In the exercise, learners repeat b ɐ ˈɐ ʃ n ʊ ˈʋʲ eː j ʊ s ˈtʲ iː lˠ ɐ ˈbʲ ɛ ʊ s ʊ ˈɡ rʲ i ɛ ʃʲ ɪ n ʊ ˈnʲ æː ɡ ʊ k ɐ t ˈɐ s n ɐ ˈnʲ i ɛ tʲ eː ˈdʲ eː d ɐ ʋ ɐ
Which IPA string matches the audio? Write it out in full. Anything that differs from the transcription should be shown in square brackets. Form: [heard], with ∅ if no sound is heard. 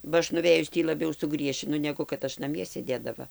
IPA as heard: b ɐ ˈɐ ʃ n ʊ ˈʋʲ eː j ʊ s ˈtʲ iː lˠ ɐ ˈbʲ ɛ ʊ s ʊ ˈɡ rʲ i ɛ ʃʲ ɪ n ʊ ˈnʲ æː ɡ ʊ k ɐ t ˈɐ [ʃ] n ɐ [ˈmʲ] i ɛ [sʲ] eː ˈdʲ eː d ɐ ʋ ɐ